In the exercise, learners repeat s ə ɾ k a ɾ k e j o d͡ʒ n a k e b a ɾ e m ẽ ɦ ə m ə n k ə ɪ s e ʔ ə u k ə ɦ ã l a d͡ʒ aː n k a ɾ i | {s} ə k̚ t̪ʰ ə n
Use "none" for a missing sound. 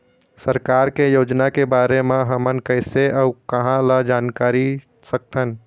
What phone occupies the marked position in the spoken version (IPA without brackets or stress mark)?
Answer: s